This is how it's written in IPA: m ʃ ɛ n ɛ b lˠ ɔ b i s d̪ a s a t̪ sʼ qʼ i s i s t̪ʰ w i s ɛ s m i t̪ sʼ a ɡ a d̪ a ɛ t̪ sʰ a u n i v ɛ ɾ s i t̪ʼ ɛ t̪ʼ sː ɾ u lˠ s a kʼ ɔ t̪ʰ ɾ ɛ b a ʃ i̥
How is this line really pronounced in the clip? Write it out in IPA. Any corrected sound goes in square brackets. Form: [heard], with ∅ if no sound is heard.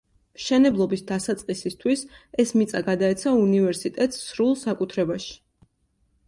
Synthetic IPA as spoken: m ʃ ɛ n ɛ b lˠ ɔ b i s d̪ a s a t̪ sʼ qʼ i s i s t̪ʰ w i s ɛ s m i t̪ sʼ a ɡ a d̪ a ɛ t̪ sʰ a u n i v ɛ ɾ s i t̪ʼ ɛ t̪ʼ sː ɾ u lˠ s a kʼ [u] t̪ʰ ɾ ɛ b a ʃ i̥